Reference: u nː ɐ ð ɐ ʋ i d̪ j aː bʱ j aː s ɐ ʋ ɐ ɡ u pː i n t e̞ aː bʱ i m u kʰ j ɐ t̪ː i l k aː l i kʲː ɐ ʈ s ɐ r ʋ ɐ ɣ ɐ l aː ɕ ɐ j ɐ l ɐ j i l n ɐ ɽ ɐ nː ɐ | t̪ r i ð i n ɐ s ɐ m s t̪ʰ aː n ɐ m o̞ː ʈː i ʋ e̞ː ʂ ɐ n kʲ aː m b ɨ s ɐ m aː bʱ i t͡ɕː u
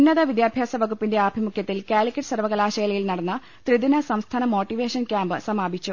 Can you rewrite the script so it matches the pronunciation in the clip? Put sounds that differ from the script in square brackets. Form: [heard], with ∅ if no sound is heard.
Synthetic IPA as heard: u nː ɐ ð ɐ ʋ i d̪ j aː bʱ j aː s ɐ ʋ ɐ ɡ u pː i n [d] e̞ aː bʱ i m u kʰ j ɐ t̪ː i l k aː l i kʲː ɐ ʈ s ɐ r ʋ ɐ ɣ ɐ l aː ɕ ɐ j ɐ l ɐ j i l n ɐ ɽ ɐ nː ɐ | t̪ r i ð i n ɐ s ɐ m s t̪ʰ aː n ɐ m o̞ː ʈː i ʋ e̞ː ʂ ɐ n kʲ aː m b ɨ s ɐ m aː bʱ i t͡ɕː u